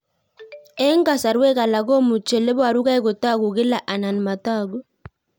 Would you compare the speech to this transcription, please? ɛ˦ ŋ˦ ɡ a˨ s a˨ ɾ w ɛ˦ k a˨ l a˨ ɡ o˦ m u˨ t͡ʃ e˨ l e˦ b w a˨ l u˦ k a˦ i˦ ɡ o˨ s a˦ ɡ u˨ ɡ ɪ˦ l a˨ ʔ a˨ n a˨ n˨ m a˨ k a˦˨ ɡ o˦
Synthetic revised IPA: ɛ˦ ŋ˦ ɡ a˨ s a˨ ɾ w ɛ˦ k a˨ l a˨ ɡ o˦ m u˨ t͡ʃ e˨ l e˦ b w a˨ ɾ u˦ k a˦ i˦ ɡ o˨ t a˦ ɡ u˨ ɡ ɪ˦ l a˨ ʔ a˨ n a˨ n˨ m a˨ t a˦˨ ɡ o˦